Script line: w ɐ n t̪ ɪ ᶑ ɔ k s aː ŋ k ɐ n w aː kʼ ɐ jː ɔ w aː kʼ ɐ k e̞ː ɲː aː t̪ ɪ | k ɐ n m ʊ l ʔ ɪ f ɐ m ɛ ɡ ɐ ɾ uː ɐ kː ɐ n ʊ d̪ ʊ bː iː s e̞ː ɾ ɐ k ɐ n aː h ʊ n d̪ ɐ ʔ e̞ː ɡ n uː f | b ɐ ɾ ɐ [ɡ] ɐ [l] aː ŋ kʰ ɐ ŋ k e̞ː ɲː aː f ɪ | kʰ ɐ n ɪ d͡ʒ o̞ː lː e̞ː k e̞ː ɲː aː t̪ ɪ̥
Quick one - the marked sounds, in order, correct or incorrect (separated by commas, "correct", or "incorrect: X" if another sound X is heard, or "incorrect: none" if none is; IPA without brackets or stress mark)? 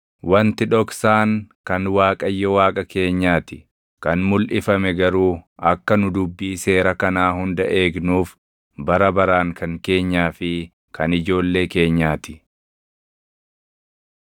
incorrect: b, incorrect: ɾ